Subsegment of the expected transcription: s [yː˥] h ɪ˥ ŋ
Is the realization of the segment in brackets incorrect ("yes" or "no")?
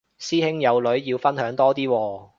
yes